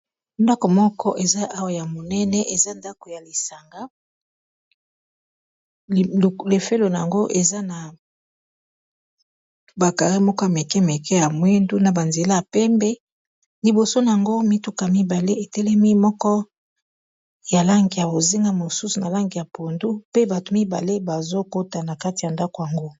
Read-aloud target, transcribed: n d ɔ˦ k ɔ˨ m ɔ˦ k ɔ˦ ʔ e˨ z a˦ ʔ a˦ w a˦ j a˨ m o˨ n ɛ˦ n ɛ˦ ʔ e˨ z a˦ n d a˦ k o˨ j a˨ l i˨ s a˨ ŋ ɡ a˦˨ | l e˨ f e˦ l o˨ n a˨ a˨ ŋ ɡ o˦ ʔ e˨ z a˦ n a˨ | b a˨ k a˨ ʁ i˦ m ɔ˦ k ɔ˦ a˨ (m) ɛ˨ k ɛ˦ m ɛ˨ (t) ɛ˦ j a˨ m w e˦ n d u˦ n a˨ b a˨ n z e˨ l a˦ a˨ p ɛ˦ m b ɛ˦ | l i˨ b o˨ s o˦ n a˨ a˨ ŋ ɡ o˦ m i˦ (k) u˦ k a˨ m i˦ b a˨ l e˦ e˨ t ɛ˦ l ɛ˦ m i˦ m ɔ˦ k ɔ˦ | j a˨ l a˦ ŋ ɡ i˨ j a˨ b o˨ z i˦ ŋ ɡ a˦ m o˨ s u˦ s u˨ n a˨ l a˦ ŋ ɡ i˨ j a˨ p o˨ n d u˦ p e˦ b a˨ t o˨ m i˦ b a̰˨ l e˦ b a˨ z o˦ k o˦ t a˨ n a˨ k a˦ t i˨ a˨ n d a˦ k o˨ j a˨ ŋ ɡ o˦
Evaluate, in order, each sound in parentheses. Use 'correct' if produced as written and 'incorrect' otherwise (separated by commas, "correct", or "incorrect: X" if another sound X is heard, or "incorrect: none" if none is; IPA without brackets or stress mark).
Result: correct, incorrect: k, incorrect: t